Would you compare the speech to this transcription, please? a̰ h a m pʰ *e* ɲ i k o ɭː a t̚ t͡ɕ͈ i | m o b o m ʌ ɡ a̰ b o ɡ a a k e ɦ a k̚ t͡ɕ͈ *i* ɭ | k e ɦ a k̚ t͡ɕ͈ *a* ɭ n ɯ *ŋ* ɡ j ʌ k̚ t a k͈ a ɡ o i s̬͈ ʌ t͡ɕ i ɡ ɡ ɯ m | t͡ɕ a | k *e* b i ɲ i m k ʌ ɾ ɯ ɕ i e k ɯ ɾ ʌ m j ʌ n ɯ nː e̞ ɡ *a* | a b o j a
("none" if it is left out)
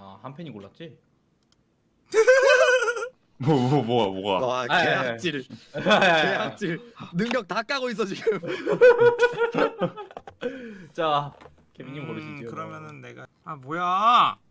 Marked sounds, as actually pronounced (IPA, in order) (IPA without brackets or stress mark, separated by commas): e, i, i, ŋ, e, a